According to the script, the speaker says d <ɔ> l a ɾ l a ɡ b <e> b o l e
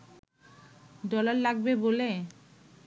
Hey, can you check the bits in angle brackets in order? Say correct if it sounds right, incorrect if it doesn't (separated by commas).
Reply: correct, correct